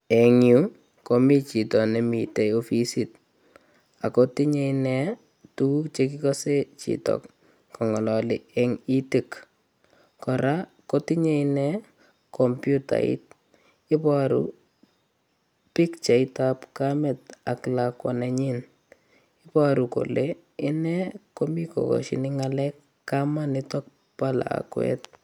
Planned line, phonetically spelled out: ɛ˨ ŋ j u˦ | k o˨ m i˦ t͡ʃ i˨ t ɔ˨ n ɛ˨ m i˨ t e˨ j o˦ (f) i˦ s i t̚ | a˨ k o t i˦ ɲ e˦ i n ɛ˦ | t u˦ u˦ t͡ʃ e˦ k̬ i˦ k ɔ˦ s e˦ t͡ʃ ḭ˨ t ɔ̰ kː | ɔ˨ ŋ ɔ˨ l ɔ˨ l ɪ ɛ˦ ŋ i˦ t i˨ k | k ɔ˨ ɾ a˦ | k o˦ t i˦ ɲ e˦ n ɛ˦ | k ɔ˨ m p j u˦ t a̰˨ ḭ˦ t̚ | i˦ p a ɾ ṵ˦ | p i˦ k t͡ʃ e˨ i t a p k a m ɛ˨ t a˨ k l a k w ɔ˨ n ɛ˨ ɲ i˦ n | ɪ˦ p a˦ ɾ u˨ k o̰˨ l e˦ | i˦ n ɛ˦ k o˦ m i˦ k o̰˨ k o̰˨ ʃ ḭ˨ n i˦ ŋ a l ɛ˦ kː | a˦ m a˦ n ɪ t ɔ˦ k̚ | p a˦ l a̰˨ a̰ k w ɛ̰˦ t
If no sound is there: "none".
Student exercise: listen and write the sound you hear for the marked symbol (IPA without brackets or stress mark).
f